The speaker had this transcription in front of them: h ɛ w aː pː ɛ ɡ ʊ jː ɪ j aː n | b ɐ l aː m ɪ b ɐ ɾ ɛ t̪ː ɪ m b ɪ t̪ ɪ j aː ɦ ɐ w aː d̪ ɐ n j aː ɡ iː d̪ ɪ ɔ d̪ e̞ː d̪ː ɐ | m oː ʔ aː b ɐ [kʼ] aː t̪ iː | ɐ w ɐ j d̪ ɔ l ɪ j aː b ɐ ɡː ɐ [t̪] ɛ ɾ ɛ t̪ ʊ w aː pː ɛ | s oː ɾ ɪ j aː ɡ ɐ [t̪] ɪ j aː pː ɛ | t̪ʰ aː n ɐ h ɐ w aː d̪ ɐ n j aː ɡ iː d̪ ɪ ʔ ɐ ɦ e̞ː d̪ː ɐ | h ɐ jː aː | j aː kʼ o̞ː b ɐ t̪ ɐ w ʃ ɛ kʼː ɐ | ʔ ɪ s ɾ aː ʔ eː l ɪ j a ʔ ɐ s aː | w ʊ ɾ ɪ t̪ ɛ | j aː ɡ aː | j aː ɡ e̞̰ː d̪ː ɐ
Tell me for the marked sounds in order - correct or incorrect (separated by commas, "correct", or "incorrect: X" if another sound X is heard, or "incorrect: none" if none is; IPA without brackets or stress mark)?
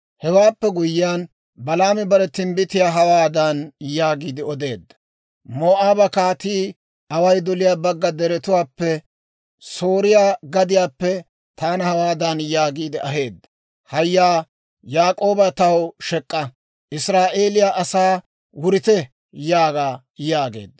incorrect: k, incorrect: d̪, incorrect: d̪